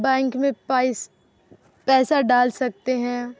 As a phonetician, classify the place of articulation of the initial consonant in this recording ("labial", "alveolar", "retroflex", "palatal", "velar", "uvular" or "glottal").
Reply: labial